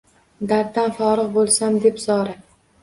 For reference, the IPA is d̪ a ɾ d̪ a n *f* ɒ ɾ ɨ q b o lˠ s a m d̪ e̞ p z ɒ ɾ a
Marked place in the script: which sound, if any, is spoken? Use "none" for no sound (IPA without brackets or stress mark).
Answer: f